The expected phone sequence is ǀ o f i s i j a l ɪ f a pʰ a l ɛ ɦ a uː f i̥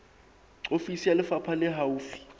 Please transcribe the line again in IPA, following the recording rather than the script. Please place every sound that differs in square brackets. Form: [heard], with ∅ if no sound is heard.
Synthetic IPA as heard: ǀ o f i s i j a l ɪ f a pʰ a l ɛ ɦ a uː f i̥